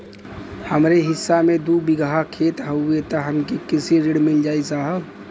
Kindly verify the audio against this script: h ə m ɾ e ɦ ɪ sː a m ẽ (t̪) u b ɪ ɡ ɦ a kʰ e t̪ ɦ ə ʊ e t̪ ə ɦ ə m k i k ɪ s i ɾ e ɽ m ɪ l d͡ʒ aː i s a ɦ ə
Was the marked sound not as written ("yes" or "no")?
yes